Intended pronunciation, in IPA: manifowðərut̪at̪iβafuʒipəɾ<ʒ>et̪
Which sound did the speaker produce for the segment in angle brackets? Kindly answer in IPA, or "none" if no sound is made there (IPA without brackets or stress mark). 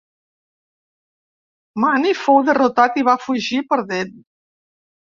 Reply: ð